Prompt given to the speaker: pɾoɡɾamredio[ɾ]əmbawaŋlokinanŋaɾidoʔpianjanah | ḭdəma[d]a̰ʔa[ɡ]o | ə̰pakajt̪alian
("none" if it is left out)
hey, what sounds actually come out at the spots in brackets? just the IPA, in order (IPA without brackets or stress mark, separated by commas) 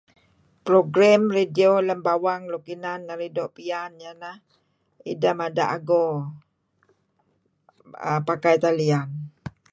l, d, ɡ